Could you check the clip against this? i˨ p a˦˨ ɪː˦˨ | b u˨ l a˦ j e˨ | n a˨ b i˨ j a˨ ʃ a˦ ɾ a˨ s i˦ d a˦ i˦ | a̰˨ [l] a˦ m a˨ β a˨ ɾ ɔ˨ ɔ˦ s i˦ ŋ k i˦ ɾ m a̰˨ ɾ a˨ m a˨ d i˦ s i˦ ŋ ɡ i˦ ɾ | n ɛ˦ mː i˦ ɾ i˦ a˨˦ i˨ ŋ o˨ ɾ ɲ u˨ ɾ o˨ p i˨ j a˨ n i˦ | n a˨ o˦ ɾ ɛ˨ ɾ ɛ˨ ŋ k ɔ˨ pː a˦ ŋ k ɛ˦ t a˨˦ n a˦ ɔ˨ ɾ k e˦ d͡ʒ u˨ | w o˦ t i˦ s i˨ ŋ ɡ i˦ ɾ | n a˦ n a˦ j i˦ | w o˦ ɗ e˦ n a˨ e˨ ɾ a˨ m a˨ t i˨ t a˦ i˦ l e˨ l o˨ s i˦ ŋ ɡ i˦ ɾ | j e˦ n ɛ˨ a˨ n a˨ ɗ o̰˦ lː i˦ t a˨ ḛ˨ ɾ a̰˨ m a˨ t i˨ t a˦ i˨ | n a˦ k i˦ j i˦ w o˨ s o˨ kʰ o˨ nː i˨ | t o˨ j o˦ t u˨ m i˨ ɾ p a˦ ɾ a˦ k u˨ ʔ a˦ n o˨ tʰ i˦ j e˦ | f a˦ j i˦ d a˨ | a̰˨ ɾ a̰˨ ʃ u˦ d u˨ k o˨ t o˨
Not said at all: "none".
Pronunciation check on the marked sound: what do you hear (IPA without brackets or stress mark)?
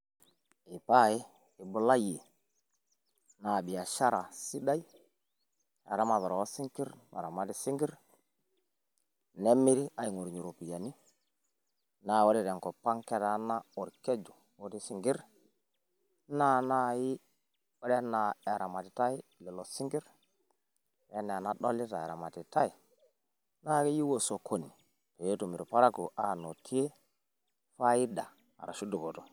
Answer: ɾ